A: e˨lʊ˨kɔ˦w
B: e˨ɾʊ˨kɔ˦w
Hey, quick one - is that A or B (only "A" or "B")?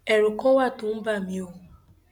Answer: B